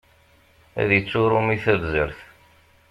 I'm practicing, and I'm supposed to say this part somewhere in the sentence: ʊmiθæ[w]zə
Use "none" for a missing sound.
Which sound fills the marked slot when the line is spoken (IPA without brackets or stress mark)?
v